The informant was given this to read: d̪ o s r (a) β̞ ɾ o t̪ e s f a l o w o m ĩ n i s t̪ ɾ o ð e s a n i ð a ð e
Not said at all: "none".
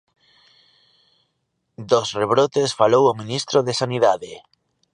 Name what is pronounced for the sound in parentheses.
e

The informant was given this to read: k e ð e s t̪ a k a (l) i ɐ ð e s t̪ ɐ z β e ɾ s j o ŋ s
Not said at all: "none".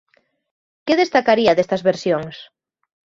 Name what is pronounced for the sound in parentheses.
ɾ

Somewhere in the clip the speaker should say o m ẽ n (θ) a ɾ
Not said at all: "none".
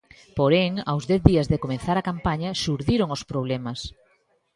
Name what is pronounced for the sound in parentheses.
θ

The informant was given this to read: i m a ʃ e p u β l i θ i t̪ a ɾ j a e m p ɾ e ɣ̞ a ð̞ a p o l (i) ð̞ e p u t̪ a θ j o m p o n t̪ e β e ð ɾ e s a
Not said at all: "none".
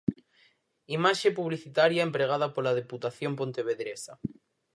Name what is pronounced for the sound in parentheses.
a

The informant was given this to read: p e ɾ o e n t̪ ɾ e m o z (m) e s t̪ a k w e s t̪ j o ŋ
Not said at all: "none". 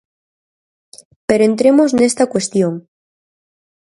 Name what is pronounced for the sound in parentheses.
n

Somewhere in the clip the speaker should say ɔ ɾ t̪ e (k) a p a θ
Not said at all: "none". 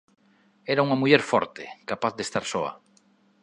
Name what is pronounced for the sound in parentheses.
k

